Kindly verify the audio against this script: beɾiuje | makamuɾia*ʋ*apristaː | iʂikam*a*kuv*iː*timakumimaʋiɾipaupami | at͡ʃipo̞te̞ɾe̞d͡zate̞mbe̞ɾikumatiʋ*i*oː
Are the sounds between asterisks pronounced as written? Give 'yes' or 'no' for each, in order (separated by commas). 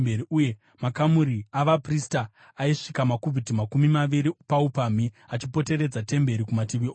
yes, yes, no, yes